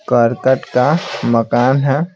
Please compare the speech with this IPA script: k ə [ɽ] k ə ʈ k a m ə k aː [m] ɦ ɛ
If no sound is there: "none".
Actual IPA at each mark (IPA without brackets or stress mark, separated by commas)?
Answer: ɾ, n